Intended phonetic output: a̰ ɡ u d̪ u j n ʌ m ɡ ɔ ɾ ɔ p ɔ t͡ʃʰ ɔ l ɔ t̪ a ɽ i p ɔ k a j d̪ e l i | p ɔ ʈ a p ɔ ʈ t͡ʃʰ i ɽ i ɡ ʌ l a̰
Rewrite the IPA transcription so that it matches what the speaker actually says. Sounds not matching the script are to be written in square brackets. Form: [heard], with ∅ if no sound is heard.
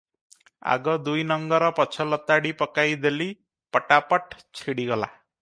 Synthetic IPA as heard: a̰ ɡ [ɔ] d̪ u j n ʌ [ŋ] ɡ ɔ ɾ ɔ p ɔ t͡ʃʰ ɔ l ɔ t̪ a ɽ i p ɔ k a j d̪ e l i | p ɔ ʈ a p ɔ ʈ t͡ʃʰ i ɽ i ɡ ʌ l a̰